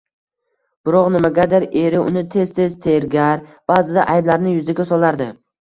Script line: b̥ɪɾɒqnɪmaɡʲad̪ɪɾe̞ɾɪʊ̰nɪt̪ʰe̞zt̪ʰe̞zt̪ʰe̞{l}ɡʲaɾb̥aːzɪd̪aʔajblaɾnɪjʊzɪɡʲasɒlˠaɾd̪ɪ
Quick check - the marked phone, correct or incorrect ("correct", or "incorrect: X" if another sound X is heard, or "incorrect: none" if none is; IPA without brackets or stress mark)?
incorrect: ɾ